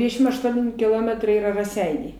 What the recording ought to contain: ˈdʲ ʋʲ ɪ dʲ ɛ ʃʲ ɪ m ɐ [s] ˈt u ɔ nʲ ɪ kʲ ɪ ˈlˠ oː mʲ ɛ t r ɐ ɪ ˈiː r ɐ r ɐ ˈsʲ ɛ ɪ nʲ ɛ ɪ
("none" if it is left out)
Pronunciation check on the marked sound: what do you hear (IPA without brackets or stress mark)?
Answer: ʃ